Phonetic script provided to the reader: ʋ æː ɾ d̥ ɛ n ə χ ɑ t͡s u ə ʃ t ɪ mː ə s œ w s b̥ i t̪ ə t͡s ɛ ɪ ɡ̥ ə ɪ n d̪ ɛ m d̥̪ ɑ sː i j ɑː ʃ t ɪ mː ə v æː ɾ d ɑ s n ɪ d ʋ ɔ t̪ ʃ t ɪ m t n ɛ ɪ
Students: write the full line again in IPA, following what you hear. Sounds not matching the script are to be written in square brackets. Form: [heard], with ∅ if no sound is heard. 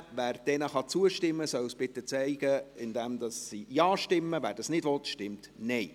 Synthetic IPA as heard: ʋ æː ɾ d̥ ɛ n ə χ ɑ t͡s u ə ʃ t ɪ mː ə s œ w s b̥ [ɪ] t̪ ə t͡s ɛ ɪ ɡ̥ ə ɪ n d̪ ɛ m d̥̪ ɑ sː i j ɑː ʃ t ɪ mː ə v æː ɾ d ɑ s n ɪ d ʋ ɔ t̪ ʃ t ɪ m t n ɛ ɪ